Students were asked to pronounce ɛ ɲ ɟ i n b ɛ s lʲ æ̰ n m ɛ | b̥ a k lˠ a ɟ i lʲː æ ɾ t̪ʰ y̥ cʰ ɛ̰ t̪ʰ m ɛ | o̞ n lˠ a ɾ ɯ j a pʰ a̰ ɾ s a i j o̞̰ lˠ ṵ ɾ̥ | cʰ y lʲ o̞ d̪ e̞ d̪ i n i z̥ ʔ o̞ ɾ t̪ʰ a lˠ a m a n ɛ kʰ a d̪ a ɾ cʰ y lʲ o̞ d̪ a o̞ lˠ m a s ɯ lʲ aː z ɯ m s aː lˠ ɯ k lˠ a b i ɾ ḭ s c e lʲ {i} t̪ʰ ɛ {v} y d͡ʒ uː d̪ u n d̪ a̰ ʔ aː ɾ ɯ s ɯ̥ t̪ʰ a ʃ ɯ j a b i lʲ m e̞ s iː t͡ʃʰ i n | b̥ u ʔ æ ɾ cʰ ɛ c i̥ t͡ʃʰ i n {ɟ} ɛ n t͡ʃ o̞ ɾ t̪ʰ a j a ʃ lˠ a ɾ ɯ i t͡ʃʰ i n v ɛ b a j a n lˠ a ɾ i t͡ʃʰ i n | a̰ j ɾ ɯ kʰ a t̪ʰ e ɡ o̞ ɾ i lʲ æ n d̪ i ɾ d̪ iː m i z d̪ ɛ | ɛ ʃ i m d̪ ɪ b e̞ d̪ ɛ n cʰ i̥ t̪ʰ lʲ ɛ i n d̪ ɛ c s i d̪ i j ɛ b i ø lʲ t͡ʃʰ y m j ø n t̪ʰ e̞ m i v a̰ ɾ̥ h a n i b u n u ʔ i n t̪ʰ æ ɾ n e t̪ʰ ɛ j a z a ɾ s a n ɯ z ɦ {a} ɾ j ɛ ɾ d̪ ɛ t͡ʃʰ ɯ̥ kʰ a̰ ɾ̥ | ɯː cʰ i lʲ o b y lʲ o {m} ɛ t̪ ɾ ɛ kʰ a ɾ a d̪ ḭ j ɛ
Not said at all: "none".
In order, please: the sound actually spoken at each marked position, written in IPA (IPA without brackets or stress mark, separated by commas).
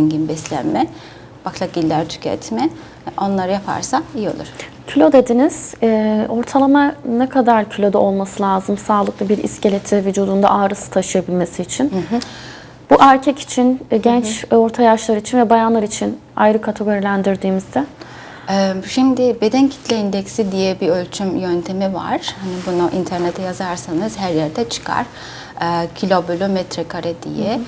e, v, ɟ, æ, m